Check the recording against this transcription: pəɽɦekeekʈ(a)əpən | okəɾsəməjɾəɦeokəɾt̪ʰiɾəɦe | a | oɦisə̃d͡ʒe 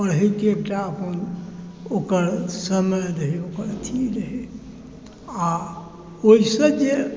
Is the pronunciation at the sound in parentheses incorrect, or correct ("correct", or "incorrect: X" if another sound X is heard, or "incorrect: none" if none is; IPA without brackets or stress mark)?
correct